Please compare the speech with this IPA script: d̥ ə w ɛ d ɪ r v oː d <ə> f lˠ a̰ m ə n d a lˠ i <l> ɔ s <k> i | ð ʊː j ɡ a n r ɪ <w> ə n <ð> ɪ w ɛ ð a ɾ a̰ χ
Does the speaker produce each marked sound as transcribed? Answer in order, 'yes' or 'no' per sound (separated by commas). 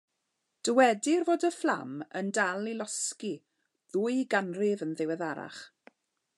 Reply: yes, yes, yes, no, yes